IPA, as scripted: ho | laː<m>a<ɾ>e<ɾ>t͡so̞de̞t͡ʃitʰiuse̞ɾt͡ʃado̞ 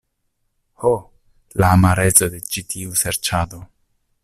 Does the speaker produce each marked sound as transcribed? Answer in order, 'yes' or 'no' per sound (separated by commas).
yes, yes, no